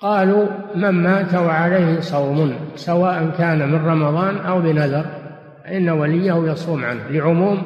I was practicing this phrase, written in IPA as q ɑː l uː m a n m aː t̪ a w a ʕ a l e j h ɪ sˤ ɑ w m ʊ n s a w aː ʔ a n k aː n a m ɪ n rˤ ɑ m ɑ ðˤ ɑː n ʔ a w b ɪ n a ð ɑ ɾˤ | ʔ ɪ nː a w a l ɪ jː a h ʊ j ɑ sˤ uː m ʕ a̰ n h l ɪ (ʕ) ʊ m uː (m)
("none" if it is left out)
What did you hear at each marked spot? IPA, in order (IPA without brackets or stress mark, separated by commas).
ʕ, m